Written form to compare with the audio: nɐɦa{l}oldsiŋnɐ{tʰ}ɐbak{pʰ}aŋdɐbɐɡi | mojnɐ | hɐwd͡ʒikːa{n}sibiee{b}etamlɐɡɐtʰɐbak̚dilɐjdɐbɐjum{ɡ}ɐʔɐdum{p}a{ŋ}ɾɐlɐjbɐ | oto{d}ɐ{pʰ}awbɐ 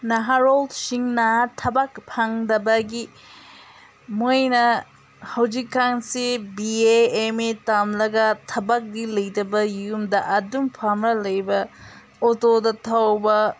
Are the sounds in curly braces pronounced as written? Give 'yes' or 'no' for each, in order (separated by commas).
no, yes, yes, no, no, no, no, no, yes, no